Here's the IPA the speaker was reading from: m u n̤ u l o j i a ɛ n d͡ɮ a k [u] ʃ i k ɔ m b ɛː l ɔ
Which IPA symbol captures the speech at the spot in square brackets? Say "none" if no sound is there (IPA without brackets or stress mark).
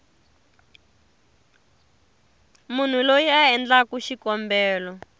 u